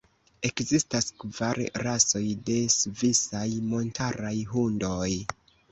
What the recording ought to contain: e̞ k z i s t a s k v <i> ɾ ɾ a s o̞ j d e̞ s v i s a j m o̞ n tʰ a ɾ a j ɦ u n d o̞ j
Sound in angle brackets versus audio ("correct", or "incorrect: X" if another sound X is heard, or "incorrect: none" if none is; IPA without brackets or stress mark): incorrect: a